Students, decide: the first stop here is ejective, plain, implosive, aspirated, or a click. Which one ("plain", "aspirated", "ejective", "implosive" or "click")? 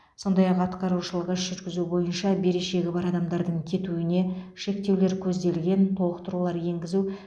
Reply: plain